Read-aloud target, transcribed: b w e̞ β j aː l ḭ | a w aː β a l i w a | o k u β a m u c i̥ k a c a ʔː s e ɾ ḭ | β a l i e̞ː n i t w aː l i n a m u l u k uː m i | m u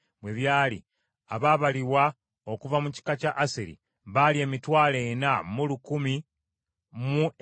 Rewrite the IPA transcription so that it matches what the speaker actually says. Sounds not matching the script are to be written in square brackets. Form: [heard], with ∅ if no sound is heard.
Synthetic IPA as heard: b w e̞ β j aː l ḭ | a [β] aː β a l i w a | o k u [v] a m u c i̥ k a c a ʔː s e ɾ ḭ | β a l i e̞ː [m] i t w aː l [e] n a m u l u k [u] m i | m u